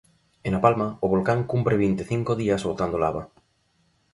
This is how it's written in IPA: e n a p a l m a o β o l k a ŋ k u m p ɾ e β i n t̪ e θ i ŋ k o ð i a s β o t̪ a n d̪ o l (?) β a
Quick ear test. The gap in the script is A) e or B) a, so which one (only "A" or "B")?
B